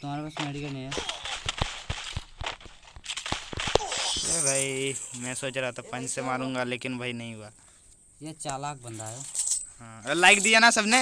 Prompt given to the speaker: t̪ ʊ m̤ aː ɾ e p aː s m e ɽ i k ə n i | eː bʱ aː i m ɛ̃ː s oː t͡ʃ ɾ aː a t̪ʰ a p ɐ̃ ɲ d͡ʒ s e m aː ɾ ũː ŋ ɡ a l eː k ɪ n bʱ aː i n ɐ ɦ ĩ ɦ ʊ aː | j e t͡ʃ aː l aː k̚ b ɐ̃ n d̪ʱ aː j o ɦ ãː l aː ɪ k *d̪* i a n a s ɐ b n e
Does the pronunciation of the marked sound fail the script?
no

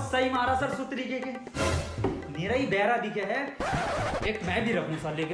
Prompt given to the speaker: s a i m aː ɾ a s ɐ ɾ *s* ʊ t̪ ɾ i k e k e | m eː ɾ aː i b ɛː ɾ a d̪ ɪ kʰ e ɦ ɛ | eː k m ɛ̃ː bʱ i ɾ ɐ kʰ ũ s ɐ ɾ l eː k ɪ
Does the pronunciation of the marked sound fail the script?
no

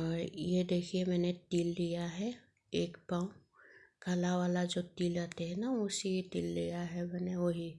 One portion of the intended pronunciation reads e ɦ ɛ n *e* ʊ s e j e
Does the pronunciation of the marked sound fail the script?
yes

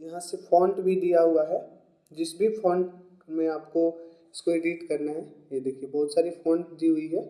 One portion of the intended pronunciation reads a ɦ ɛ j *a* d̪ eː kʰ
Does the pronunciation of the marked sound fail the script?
yes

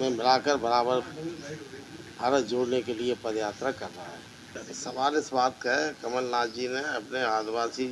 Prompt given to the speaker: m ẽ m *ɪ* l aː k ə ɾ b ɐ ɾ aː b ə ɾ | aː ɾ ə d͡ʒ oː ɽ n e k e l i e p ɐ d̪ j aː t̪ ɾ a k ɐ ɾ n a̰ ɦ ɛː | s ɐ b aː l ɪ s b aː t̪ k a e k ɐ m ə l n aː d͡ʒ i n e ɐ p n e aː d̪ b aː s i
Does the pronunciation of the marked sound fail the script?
no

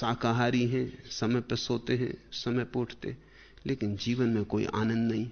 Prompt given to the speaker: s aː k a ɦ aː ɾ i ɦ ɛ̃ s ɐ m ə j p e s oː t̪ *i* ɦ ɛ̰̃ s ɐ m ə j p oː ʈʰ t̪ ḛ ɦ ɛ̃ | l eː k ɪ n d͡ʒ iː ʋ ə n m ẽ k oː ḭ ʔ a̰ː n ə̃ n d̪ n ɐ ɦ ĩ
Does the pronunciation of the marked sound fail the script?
yes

